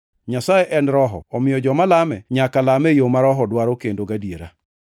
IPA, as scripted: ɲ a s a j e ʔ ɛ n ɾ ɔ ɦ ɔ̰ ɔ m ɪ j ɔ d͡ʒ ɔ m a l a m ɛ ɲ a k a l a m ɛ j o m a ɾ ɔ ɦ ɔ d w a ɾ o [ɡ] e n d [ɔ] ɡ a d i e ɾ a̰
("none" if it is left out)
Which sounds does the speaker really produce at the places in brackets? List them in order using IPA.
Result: k, o

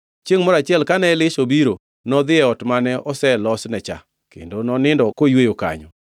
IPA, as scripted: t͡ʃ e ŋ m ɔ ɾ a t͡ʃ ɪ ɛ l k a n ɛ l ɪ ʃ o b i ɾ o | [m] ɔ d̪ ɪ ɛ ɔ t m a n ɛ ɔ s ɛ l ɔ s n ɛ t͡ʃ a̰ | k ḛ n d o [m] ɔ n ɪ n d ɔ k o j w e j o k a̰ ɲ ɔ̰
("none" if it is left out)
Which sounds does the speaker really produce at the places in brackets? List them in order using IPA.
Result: n, n

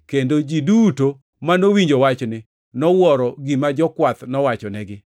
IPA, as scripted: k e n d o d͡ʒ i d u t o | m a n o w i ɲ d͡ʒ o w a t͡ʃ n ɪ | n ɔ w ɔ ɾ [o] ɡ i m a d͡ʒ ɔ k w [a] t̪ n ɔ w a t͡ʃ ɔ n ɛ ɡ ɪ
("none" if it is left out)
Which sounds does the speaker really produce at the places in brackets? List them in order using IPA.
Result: ɔ, a

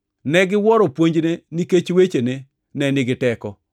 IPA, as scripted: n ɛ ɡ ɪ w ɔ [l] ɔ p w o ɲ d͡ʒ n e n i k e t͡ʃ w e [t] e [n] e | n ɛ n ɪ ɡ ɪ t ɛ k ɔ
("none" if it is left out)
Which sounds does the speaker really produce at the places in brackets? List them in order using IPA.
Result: ɾ, t͡ʃ, n

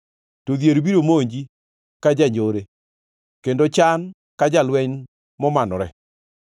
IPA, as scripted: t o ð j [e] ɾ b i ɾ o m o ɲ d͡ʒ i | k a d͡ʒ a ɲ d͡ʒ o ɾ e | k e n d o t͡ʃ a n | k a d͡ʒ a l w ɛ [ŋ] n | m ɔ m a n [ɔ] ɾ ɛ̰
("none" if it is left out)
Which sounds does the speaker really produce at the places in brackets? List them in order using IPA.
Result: e, ɲ, ɔ

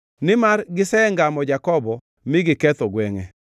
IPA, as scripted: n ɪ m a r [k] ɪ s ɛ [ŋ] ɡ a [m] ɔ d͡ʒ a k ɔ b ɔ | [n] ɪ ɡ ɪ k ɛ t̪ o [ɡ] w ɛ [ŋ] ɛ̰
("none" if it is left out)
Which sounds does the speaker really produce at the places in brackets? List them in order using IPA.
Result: ɡ, ŋ, m, m, ɡ, ŋ

